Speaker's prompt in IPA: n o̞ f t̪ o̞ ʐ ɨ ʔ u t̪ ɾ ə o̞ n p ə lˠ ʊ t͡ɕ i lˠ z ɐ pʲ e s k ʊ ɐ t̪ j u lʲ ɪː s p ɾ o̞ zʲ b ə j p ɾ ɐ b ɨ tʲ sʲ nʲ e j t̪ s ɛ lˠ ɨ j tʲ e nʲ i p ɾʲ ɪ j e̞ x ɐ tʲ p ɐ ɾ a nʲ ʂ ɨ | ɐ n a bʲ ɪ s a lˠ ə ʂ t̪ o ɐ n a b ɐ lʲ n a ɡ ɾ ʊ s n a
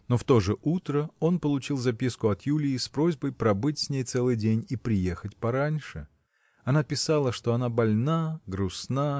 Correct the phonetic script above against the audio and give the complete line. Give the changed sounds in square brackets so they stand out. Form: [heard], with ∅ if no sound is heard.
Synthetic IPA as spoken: n o̞ f t̪ o̞ ʐ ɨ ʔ u t̪ ɾ ə o̞ n p ə lˠ ʊ t͡ɕ i lˠ z ɐ pʲ [i] s k ʊ ɐ t̪ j u lʲ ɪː s p ɾ o̞ zʲ b ə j p ɾ ɐ b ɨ tʲ sʲ nʲ e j t̪ s ɛ lˠ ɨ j [dʲ] e nʲ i p ɾʲ ɪ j e̞ x [ə] tʲ p ɐ ɾ a nʲ ʂ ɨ | ɐ n a [pʲ] ɪ s a lˠ ə ʂ t̪ o ɐ n a b ɐ lʲ n a ɡ ɾ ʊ s n a

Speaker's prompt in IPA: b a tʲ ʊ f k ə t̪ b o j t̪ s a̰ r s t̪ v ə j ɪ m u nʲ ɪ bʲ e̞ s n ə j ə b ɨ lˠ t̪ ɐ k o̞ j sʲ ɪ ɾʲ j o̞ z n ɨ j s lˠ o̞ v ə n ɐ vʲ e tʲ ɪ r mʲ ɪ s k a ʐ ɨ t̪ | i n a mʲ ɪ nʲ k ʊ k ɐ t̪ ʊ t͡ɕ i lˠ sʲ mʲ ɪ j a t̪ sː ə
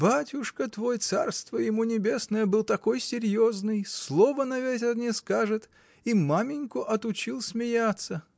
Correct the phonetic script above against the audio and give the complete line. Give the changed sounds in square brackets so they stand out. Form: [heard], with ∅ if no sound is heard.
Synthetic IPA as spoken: b a tʲ ʊ [ʂ] k ə t̪ [v] o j t̪ s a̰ r s t̪ v ə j ɪ m u nʲ ɪ bʲ e̞ s n ə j ə b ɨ lˠ t̪ ɐ k o̞ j sʲ ɪ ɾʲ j o̞ z n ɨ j s lˠ o̞ v ə n ɐ vʲ e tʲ ɪ r [nʲ] ɪ s k a ʐ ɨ t̪ | i [m] a mʲ ɪ nʲ k ʊ [ʔ] ɐ t̪ ʊ t͡ɕ i lˠ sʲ mʲ ɪ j a t̪ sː ə

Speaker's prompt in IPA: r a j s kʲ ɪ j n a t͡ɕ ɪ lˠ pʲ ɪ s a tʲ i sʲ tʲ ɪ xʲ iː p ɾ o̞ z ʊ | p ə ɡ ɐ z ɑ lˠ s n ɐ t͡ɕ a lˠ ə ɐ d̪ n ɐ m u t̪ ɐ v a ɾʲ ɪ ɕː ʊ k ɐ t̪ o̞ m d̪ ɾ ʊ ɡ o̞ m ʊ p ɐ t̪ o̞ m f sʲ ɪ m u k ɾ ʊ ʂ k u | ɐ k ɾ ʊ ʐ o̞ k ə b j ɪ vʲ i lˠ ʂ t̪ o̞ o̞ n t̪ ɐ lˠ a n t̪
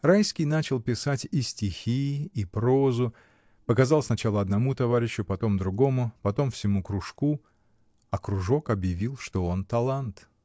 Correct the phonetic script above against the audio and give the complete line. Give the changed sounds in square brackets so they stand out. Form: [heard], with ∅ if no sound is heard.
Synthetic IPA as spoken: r a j s kʲ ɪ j n a t͡ɕ ɪ lˠ pʲ ɪ s a tʲ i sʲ tʲ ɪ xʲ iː p ɾ o̞ z ʊ | p ə [k] ɐ z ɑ lˠ s n ɐ t͡ɕ a lˠ ə ɐ d̪ n ɐ m u t̪ ɐ v a ɾʲ ɪ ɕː ʊ [p] ɐ t̪ o̞ m d̪ ɾ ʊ ɡ o̞ m ʊ p ɐ t̪ o̞ m f sʲ ɪ m u k ɾ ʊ ʂ k u | ɐ k ɾ ʊ ʐ o̞ k [ɐ] b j ɪ vʲ i lˠ ʂ t̪ o̞ o̞ n t̪ ɐ lˠ a n t̪

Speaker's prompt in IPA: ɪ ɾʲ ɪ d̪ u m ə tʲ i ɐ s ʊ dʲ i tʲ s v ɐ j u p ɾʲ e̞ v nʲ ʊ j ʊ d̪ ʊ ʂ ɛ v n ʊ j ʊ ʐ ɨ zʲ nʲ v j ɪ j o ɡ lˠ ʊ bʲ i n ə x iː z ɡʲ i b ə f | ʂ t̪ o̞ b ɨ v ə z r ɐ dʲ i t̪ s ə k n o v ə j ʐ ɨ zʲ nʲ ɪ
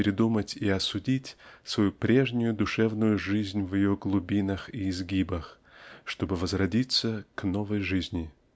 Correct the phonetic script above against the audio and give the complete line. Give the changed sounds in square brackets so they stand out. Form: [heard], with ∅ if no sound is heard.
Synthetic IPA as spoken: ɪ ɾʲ ɪ d̪ u m ə tʲ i ɐ s ʊ dʲ i tʲ s v ɐ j u p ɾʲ e̞ [ʐ] nʲ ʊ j ʊ d̪ ʊ ʂ ɛ v n ʊ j ʊ ʐ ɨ zʲ nʲ v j ɪ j o ɡ lˠ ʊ bʲ i n ə x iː z ɡʲ i b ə [x] | ʂ t̪ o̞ b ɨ v ə z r ɐ dʲ i t̪ s ə k n o v ə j ʐ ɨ zʲ nʲ ɪ

